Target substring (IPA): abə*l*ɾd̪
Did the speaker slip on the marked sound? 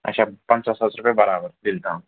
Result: yes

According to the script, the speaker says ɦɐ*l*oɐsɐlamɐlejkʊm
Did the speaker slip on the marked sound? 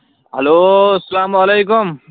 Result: no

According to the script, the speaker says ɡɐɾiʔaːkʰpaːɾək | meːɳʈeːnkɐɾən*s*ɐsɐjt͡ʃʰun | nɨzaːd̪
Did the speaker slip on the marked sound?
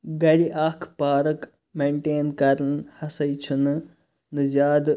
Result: yes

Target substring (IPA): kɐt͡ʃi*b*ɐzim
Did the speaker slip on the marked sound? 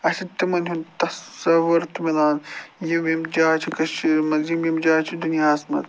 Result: yes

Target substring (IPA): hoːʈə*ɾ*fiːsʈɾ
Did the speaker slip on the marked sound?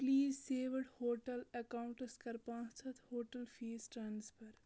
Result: yes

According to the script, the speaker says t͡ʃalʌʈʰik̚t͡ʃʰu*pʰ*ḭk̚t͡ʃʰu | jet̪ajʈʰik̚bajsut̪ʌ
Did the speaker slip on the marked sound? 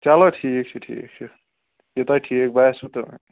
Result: yes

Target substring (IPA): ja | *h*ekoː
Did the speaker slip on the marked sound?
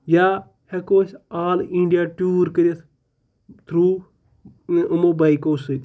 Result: no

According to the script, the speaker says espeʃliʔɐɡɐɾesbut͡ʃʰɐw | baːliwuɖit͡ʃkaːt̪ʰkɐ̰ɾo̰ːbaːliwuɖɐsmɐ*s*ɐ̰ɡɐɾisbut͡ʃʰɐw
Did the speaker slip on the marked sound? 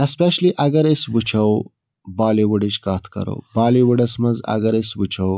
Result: yes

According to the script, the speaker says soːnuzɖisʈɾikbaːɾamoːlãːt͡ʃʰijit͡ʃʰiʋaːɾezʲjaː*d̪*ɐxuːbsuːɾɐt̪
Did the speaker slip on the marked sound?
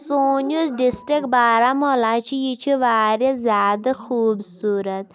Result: no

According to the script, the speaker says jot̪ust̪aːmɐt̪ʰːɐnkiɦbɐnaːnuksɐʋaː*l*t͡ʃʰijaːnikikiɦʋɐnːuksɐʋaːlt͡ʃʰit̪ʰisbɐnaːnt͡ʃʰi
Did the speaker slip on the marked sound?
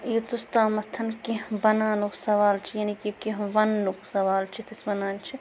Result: no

